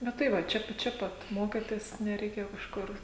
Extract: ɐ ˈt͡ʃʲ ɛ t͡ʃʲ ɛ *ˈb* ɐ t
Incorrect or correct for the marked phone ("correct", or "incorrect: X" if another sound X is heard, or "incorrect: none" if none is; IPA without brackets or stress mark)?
incorrect: p